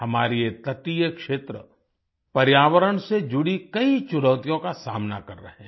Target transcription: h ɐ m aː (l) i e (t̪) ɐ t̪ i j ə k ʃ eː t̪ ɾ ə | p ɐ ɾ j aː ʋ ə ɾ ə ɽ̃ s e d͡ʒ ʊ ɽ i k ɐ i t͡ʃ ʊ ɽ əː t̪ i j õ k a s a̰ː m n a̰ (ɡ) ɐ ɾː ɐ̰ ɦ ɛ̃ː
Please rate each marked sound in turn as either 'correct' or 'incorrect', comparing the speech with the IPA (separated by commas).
incorrect, correct, incorrect